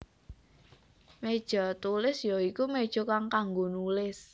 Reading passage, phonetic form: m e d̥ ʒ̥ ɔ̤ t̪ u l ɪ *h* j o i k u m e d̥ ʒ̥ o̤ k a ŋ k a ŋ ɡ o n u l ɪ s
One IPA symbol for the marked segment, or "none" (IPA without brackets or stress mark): s